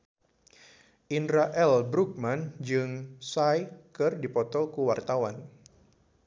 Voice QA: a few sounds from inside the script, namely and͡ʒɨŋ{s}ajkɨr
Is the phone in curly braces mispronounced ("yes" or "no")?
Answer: no